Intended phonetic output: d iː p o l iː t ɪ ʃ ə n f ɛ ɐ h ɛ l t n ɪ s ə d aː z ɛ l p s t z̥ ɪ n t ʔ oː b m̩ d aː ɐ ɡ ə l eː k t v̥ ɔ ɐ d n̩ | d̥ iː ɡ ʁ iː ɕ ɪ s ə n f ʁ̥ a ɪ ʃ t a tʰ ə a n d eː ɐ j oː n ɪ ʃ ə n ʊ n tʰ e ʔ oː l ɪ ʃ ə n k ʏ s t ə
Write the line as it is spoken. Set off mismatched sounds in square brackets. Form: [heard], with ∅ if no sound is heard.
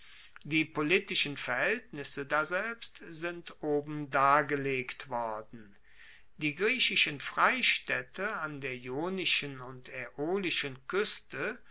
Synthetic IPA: d iː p o l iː t ɪ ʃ ə n f ɛ ɐ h ɛ l t n ɪ s ə d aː z ɛ l p s t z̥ ɪ n t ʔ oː b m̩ d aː ɐ ɡ ə l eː k t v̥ ɔ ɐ d n̩ | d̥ iː ɡ ʁ iː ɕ ɪ [ʃ] ə n f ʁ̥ a ɪ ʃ t [ɛ] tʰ ə a n d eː ɐ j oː n ɪ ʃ ə n ʊ n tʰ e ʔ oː l ɪ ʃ ə n k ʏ s t ə